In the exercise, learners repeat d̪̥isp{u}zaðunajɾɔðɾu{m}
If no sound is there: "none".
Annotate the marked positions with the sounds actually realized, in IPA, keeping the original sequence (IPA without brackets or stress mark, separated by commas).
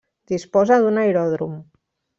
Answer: ɔ, m